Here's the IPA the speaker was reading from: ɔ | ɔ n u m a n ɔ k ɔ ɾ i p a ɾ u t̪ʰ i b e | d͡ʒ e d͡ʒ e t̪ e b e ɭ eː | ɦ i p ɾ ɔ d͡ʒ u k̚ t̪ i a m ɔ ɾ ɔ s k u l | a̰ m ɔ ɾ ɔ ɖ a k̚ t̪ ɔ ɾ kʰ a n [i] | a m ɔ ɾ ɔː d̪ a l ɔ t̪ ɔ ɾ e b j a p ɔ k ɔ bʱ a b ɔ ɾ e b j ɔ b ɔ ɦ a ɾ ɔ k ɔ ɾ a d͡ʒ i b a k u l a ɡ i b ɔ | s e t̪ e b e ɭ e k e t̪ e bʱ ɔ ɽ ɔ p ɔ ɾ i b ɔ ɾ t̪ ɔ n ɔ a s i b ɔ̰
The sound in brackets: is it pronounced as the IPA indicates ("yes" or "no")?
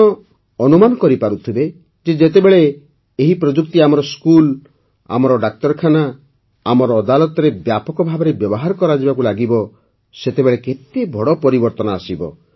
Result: no